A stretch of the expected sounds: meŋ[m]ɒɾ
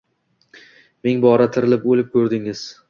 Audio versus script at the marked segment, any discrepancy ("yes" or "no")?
yes